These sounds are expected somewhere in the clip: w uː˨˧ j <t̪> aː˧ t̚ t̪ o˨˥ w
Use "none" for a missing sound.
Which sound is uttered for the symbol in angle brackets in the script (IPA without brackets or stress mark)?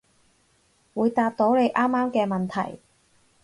t̪